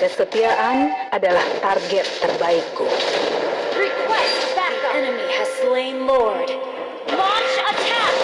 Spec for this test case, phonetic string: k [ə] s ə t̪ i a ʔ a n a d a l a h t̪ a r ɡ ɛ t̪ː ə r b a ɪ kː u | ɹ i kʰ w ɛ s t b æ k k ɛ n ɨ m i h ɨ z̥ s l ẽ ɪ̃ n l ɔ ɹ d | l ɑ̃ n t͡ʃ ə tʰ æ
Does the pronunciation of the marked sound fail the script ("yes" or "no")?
no